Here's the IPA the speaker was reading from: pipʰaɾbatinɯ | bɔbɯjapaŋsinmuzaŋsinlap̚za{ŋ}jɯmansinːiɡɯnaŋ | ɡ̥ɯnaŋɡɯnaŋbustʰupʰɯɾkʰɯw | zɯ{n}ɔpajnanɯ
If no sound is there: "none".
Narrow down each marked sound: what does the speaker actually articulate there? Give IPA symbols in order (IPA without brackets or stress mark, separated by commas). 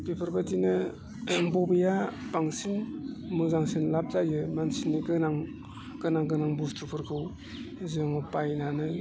none, ŋ